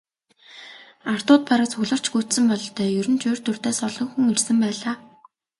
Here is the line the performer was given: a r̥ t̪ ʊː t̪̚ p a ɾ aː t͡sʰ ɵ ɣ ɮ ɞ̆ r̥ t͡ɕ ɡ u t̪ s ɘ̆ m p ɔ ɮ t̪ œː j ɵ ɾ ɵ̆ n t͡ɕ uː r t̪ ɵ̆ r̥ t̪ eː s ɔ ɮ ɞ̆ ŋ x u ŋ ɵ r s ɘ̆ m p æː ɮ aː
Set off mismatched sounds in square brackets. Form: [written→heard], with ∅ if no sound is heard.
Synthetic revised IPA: a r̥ t̪ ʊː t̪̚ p a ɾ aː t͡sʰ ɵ ɣ ɮ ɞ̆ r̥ t͡ɕ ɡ u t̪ s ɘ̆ m p ɔ ɮ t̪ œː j ɵ ɾ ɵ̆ n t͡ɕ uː r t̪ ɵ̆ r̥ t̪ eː s ɔ ɮ ɞ̆ ŋ x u ŋ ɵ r s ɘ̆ m p æː ɮ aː